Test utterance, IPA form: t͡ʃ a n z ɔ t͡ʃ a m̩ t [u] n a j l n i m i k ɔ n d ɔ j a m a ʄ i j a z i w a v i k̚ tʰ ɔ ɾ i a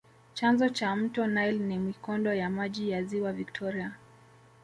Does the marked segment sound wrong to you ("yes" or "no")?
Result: yes